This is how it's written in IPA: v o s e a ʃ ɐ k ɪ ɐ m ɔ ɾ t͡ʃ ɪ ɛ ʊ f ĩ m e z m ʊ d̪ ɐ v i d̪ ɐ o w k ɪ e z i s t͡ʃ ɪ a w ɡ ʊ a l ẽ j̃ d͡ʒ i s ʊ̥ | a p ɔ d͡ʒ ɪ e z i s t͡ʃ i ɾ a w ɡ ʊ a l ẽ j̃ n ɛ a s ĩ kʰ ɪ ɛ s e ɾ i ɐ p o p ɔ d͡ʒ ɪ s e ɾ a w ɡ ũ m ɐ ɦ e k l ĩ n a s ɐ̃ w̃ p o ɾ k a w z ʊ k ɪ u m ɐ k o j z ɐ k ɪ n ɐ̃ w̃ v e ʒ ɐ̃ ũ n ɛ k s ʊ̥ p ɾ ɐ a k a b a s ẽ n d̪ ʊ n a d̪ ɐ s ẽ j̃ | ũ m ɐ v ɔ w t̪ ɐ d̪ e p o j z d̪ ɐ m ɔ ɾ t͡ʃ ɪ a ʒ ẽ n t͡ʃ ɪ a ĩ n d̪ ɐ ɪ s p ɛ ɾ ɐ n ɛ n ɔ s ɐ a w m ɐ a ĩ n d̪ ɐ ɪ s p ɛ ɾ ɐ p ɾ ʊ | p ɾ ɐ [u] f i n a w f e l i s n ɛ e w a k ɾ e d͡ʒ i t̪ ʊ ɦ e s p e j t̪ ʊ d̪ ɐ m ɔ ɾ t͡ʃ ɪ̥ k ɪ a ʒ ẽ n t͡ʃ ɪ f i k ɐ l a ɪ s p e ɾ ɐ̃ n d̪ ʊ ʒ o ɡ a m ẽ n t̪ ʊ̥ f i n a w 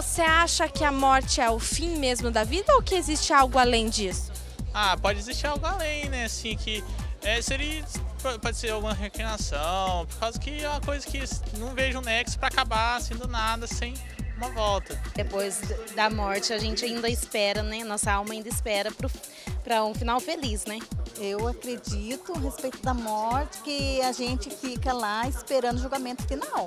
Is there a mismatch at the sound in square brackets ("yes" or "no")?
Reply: yes